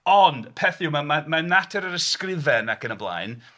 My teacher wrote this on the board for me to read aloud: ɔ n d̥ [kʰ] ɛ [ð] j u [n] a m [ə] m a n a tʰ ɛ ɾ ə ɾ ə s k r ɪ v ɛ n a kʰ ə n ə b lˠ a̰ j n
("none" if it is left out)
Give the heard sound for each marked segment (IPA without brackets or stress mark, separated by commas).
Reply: pʰ, θ, m, a